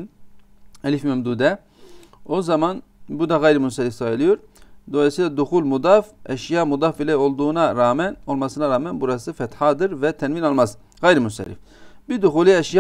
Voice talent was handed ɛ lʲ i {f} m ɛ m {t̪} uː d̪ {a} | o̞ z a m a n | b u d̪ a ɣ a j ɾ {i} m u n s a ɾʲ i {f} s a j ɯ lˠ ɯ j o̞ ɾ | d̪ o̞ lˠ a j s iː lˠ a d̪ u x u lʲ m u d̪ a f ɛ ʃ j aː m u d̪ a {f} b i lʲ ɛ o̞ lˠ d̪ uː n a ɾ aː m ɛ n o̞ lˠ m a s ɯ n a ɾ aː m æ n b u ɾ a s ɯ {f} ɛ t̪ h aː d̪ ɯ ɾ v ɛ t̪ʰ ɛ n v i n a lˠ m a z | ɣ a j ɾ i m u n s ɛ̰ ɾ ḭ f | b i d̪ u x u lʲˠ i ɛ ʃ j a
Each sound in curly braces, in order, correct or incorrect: correct, incorrect, incorrect, correct, correct, correct, correct

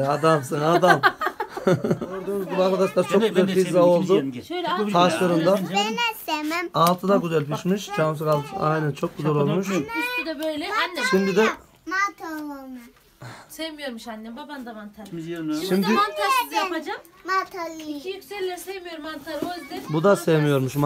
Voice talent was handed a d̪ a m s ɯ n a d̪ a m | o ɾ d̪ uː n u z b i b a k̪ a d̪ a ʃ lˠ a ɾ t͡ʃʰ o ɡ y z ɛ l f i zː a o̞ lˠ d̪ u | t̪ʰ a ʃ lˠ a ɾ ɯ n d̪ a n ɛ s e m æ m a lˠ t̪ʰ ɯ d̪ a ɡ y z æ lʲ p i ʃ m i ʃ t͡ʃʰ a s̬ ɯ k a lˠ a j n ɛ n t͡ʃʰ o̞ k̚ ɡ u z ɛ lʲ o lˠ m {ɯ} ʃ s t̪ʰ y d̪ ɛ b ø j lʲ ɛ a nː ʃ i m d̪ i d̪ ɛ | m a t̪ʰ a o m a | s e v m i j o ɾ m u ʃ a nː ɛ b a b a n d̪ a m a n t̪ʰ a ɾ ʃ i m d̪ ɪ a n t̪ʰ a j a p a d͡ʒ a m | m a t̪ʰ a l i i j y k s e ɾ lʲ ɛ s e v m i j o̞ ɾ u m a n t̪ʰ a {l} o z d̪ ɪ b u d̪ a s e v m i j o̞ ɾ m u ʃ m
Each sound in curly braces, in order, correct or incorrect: incorrect, incorrect

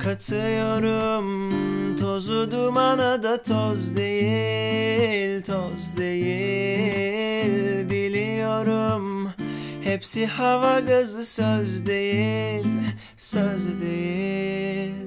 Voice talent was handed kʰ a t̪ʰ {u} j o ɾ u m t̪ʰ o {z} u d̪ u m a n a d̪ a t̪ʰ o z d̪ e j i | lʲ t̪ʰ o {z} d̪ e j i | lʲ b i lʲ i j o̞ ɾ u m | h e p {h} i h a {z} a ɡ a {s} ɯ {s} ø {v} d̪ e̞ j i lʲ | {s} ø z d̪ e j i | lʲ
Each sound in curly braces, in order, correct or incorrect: incorrect, correct, correct, incorrect, incorrect, incorrect, correct, incorrect, correct

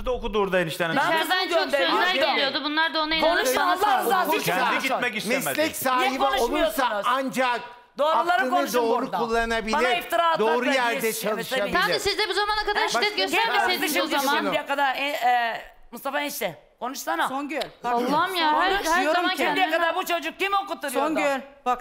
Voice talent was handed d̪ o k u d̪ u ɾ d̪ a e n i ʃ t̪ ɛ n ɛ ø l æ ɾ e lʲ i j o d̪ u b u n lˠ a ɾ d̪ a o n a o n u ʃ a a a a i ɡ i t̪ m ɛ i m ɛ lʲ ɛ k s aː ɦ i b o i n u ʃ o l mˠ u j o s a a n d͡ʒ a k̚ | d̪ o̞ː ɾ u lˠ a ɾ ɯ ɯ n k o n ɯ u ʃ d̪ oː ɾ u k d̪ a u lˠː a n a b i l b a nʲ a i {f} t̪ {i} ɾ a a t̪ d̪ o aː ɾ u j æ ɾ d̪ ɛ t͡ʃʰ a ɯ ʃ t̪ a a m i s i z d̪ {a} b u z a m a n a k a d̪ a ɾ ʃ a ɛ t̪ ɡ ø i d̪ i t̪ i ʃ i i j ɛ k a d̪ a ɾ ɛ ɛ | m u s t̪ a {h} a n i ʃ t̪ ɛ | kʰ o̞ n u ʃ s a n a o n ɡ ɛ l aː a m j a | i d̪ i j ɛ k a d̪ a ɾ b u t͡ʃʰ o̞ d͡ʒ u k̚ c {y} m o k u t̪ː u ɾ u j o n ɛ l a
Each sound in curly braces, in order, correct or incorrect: correct, correct, incorrect, incorrect, incorrect

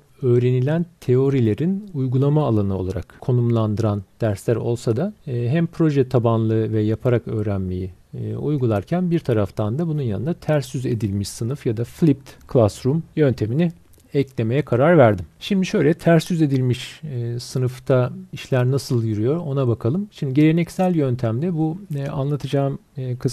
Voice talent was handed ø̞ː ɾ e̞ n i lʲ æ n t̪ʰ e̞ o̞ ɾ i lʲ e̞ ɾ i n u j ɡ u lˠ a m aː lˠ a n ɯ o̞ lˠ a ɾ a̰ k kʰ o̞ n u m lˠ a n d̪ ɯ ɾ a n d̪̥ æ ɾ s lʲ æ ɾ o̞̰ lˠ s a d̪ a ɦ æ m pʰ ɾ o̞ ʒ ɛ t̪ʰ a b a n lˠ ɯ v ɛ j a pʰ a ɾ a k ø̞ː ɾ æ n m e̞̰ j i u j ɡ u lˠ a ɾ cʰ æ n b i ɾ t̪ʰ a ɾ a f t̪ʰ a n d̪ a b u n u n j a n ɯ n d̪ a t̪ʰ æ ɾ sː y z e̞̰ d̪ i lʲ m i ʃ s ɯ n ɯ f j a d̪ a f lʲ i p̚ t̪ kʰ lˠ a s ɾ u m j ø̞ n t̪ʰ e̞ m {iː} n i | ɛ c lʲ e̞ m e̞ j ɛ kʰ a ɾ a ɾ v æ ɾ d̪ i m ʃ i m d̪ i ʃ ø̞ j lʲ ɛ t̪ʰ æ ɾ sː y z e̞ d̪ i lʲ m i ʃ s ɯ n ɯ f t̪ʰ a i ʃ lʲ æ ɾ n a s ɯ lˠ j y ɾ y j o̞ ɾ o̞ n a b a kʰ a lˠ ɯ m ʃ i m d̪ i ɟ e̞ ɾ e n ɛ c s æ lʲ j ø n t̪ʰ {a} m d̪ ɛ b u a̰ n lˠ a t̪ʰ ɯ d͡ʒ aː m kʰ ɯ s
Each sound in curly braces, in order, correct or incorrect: incorrect, incorrect

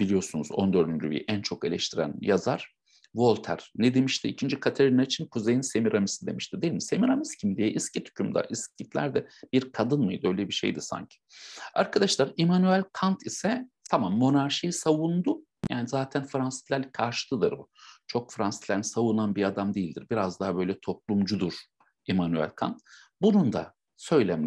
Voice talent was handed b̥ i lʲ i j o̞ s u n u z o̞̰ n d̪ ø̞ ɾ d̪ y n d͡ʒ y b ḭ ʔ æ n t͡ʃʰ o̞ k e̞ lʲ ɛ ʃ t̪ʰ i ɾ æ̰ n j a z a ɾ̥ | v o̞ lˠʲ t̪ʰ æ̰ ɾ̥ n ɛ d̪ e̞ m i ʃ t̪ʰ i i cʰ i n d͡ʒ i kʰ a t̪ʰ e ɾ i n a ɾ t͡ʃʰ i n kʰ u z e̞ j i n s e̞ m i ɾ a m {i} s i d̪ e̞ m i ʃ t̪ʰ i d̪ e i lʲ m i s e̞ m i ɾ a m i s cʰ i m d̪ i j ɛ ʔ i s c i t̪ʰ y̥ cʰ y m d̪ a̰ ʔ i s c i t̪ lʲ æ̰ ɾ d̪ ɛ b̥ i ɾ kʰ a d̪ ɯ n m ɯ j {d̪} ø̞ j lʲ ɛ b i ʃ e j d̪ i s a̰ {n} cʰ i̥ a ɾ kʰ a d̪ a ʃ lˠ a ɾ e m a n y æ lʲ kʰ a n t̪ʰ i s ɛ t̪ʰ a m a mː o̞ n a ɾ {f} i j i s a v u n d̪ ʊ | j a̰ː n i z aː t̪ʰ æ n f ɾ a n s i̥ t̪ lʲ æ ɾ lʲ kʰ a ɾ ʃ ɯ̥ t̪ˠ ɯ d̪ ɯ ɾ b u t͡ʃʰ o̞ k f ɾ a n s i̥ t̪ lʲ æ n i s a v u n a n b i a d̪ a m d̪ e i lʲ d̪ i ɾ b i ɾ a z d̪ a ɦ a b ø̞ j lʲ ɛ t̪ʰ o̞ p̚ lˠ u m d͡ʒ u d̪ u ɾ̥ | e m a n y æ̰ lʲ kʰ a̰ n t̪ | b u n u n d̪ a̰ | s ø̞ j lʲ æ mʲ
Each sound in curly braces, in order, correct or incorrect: correct, correct, incorrect, incorrect

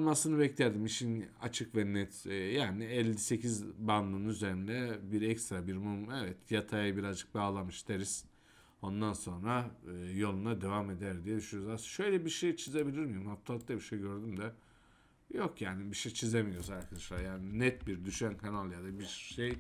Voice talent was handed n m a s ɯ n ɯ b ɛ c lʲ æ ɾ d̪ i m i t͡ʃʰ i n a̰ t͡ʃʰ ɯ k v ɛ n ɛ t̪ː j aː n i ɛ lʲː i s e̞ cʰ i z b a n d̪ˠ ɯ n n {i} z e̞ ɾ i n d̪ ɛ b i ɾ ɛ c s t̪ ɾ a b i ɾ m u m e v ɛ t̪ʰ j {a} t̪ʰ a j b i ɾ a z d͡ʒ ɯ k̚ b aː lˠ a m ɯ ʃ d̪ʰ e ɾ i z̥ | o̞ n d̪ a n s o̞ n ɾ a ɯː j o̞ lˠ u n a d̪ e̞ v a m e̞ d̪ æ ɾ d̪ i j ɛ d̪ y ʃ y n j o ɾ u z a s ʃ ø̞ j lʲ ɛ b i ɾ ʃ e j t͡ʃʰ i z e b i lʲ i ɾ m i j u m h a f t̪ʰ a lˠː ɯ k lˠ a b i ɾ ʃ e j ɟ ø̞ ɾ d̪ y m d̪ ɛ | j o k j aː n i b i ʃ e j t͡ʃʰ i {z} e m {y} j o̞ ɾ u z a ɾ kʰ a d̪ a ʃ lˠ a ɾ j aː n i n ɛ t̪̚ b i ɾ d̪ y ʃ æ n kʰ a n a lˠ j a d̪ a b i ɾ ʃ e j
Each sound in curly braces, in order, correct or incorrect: incorrect, correct, correct, incorrect

